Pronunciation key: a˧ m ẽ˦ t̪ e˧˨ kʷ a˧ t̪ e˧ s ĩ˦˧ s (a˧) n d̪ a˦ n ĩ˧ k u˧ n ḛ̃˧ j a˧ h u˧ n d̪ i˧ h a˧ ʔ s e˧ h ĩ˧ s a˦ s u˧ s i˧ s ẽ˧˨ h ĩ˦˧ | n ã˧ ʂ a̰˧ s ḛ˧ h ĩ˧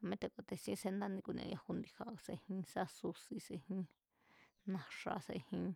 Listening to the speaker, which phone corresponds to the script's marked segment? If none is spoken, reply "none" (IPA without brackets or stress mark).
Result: e˧